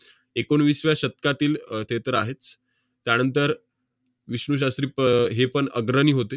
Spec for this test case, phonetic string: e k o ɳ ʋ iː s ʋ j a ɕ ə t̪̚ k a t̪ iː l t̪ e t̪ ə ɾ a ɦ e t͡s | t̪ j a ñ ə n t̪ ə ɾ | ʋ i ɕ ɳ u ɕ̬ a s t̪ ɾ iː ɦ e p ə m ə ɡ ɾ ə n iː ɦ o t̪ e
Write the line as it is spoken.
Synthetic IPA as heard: e k o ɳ ʋ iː s ʋ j a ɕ ə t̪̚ k a t̪ iː l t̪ e t̪ ə ɾ a ɦ e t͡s | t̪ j a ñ ə n t̪ ə ɾ | ʋ i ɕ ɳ u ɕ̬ a s t̪ ɾ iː ɦ e p ə ɳ ə ɡ ɾ ə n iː ɦ o t̪ e